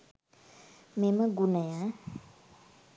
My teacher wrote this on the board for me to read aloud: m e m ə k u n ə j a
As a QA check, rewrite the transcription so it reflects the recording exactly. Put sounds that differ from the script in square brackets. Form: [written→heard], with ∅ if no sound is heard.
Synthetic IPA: m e m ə [k→ɡ] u n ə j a